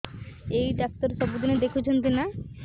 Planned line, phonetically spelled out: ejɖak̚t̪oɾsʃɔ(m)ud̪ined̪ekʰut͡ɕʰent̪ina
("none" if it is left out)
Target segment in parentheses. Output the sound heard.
b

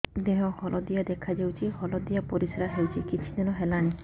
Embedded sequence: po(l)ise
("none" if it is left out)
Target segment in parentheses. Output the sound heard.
ɾ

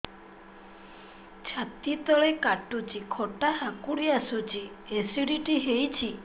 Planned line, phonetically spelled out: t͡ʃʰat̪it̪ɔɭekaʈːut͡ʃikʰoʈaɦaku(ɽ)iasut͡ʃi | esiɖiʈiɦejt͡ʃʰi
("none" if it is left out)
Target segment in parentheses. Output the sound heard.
ɽ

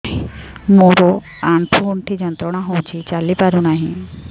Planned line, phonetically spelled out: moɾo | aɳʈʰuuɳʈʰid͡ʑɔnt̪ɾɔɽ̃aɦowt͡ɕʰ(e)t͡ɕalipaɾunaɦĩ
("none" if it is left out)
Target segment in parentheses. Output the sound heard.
i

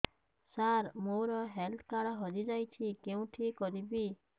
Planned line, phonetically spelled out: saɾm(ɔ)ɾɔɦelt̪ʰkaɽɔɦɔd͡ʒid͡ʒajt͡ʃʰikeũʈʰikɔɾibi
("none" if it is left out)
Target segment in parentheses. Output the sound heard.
o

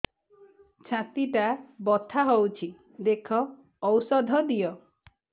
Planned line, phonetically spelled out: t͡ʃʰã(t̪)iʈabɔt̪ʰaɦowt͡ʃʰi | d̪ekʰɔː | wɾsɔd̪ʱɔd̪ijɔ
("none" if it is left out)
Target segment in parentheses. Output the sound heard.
t̪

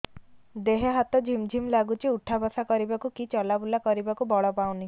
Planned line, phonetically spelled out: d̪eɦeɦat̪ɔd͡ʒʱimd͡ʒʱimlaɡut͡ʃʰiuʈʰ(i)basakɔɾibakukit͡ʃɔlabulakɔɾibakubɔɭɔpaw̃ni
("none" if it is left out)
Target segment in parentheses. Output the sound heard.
a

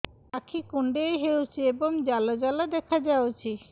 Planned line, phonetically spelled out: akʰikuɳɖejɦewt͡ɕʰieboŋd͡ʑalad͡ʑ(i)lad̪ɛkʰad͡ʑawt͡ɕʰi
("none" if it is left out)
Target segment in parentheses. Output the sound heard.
a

